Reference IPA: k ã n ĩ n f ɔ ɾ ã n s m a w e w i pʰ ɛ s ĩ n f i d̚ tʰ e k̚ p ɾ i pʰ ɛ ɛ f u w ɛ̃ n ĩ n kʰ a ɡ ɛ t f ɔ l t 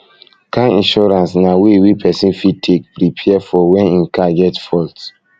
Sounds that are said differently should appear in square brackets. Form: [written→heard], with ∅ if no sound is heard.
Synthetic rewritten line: k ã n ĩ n [f→ʃ] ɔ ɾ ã n s [m→n] a w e w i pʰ ɛ s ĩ n f i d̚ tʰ e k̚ p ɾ i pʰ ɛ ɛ f [u→ɔ] w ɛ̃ n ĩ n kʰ a ɡ ɛ t f ɔ l t